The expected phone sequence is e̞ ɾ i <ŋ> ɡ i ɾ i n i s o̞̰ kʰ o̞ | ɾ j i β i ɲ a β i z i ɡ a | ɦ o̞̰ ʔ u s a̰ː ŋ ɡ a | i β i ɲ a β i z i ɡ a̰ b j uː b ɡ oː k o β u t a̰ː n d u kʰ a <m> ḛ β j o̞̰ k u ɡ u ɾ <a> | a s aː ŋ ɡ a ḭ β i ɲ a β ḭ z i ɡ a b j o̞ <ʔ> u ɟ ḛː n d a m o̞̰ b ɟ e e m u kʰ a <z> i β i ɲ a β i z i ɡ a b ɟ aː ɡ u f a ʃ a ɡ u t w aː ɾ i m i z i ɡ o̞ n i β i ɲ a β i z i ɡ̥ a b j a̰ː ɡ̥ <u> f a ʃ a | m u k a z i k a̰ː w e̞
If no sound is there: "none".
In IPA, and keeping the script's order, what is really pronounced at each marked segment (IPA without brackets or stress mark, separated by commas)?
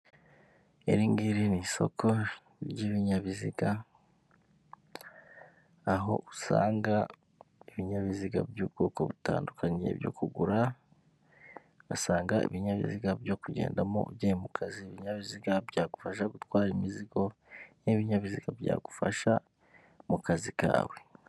ŋ, ɲ, a, k, z, u